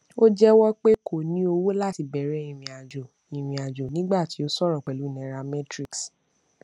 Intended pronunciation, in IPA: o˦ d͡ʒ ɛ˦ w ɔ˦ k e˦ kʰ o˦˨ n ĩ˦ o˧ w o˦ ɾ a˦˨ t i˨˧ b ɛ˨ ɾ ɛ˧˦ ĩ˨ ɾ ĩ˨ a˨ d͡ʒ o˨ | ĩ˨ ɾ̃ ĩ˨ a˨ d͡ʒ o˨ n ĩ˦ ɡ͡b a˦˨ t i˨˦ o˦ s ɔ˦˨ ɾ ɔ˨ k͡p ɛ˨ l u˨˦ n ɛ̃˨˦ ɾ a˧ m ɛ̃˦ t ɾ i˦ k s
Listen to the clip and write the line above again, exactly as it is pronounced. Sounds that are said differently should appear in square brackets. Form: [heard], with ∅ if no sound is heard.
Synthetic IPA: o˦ d͡ʒ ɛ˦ w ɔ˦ [k͡p] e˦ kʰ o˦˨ n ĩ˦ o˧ w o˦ [l] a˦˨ t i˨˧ b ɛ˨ ɾ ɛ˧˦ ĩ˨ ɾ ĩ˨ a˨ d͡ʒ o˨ | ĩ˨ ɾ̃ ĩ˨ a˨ d͡ʒ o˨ n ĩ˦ ɡ͡b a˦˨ t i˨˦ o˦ s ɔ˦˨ ɾ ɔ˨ k͡p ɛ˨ l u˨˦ n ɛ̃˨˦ ɾ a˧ m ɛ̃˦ t ɾ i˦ k s